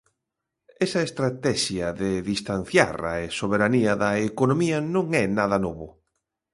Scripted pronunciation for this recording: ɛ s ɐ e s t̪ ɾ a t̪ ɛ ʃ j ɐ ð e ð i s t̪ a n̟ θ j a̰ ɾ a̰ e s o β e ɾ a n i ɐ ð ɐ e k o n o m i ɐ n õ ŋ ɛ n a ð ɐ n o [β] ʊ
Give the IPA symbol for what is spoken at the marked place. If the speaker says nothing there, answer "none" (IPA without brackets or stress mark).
β